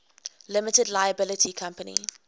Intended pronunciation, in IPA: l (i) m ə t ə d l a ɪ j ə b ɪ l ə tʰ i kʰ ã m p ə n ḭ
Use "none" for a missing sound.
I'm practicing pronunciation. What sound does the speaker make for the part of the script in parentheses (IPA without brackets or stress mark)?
ɪ